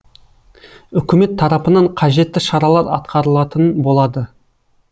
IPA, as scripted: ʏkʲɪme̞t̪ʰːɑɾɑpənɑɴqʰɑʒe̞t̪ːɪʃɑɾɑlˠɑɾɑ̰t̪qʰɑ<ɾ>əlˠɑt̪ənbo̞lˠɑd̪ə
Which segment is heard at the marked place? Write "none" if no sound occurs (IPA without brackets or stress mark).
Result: ɾ